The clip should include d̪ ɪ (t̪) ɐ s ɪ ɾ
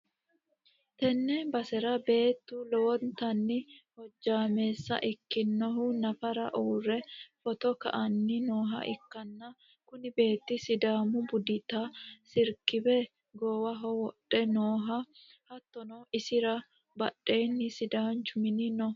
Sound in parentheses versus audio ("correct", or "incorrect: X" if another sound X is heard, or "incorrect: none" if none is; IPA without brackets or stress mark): correct